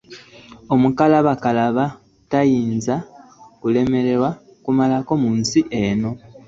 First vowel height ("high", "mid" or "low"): mid